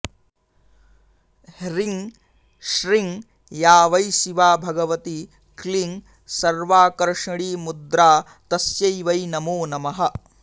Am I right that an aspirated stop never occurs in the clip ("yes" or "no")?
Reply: yes